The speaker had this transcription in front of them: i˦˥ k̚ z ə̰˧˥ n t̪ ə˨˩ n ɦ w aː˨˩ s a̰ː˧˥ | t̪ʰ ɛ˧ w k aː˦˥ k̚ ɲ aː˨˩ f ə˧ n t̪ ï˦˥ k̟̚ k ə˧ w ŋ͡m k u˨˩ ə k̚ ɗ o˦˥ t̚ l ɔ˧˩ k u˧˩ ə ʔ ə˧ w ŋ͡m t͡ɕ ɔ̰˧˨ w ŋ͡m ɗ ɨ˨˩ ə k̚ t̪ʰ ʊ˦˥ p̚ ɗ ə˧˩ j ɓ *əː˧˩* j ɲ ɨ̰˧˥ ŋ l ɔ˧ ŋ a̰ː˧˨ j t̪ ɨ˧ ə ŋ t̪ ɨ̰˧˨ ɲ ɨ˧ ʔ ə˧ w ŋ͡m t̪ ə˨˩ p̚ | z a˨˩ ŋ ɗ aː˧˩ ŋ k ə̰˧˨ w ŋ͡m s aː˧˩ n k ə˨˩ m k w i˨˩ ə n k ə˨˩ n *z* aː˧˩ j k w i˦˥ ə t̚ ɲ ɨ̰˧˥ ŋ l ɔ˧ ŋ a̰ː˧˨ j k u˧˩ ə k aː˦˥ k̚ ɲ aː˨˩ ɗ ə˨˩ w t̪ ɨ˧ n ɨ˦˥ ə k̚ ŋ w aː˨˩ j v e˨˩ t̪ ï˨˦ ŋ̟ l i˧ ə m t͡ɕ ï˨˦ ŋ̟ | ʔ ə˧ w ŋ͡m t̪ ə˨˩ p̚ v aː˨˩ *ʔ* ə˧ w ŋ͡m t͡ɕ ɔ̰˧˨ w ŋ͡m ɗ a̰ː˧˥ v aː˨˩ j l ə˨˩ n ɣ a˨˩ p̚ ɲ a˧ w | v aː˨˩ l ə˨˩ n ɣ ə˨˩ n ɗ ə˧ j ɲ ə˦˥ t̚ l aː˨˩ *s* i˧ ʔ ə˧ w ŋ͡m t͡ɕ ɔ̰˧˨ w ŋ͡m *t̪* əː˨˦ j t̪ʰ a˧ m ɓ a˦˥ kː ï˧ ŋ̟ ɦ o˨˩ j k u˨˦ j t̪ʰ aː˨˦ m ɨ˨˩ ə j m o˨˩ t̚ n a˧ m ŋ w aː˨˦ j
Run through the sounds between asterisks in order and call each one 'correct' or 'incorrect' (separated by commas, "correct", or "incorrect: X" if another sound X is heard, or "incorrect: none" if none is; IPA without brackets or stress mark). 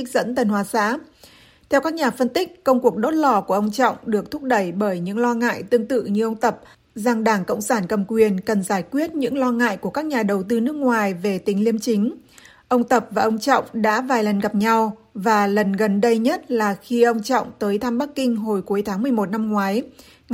correct, correct, correct, incorrect: x, correct